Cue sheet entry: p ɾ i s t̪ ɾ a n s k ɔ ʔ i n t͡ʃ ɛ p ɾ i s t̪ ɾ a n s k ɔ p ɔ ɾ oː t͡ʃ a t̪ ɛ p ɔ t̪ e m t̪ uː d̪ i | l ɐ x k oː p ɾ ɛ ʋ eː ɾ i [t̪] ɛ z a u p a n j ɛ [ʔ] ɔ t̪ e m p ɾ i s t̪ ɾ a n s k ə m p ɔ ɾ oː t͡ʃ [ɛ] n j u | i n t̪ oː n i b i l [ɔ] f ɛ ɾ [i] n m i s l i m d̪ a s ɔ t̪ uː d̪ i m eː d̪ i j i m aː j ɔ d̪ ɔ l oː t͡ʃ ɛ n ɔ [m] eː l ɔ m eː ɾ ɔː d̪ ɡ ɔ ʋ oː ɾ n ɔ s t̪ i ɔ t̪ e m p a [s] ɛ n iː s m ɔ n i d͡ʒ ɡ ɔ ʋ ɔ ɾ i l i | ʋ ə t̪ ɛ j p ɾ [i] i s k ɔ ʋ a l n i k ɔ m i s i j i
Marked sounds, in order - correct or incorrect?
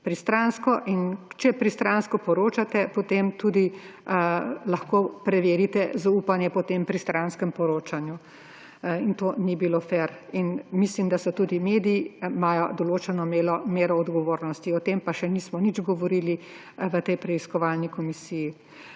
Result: correct, incorrect: p, incorrect: a, incorrect: o, correct, correct, incorrect: ʃ, incorrect: ɛ

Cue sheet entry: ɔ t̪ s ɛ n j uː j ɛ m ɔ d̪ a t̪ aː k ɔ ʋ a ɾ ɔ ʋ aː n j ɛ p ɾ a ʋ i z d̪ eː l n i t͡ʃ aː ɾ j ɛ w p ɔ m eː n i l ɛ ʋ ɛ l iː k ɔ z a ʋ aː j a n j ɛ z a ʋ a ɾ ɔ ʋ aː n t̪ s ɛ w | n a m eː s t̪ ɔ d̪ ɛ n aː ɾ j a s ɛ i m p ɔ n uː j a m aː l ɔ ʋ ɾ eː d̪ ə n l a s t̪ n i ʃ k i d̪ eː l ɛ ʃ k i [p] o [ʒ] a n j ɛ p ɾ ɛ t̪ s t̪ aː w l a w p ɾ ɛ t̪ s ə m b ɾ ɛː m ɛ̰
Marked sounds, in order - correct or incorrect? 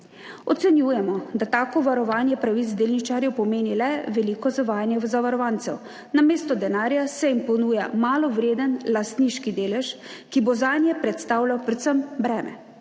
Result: incorrect: b, incorrect: z

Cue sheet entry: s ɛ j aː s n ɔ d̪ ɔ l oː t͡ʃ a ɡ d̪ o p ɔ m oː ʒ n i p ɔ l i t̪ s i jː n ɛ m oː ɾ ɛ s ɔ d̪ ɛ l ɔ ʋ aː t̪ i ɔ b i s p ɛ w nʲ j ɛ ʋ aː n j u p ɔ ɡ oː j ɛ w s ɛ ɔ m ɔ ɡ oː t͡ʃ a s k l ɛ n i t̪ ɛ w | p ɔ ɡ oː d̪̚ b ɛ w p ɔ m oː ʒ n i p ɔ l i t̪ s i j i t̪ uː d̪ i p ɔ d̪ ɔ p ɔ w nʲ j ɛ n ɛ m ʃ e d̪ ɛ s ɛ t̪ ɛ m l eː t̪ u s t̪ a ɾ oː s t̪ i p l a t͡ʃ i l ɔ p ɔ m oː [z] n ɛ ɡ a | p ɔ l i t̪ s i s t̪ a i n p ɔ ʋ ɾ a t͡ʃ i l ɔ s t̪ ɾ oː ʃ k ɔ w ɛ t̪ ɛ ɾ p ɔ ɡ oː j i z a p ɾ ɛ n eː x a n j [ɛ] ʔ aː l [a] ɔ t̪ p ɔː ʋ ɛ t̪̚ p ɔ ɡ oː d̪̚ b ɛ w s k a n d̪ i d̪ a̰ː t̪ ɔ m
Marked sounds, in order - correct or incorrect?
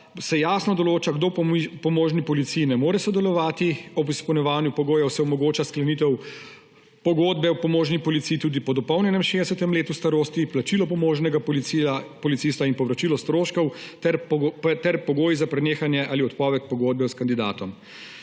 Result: incorrect: ʒ, correct, incorrect: i

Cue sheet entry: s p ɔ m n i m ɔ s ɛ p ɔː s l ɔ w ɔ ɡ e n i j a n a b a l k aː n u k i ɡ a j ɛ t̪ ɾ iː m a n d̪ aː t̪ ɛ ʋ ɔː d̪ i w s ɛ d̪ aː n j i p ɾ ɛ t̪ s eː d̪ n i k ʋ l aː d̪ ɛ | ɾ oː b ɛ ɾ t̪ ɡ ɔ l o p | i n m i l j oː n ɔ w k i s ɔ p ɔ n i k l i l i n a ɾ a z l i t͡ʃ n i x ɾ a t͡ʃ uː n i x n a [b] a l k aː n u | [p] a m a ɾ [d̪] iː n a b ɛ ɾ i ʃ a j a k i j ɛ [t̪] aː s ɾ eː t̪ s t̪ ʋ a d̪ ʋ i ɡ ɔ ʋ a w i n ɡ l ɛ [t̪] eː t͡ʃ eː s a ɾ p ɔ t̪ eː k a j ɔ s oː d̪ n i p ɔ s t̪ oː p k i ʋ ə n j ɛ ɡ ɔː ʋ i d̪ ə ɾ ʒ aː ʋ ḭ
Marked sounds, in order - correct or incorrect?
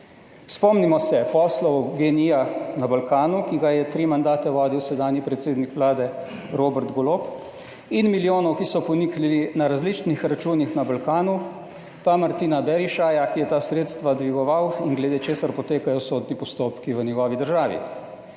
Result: correct, correct, incorrect: t̪, correct, incorrect: d̪

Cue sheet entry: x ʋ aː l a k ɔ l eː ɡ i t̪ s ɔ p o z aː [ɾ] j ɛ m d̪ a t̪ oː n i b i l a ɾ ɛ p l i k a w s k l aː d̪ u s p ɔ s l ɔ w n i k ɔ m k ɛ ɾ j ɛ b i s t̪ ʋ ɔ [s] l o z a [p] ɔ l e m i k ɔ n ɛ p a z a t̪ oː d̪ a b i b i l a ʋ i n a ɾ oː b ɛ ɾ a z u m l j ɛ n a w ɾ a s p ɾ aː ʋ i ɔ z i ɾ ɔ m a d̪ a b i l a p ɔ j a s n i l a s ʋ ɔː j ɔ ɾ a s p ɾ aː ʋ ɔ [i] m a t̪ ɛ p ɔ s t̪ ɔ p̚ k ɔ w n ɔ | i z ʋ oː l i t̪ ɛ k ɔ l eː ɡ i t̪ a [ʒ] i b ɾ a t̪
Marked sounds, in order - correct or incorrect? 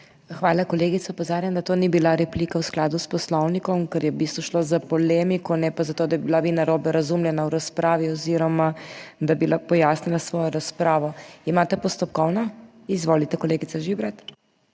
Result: correct, incorrect: ʃ, correct, correct, correct

